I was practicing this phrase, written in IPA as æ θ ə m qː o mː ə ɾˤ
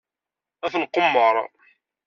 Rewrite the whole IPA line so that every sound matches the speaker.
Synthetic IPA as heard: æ θ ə n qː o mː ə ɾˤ